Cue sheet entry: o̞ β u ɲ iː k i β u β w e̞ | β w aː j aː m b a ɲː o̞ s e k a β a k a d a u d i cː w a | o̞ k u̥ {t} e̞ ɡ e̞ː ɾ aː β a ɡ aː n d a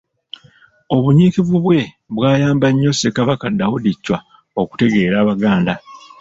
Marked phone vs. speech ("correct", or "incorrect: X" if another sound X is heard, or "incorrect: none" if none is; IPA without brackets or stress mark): correct